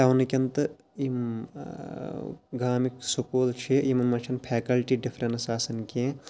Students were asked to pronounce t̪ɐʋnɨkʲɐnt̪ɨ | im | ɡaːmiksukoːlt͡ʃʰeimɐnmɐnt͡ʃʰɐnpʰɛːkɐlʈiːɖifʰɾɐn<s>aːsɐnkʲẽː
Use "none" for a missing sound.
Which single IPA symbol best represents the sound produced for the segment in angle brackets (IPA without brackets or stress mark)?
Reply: s